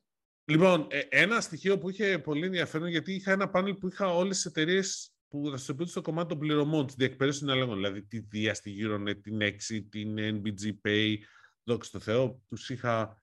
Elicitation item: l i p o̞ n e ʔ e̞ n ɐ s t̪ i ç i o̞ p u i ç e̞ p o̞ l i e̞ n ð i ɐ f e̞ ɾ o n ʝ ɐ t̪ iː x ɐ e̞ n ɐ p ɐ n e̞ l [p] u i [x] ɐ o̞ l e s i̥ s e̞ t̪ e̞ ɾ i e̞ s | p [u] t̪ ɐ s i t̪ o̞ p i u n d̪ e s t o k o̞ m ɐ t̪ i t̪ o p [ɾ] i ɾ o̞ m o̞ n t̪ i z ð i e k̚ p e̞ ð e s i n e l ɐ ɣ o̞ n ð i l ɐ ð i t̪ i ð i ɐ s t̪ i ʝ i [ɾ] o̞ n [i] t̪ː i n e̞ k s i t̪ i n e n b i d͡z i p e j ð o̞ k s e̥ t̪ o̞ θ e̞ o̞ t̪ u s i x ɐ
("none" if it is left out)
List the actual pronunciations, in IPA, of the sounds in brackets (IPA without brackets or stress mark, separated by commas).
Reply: p, x, u, l, ɾ, e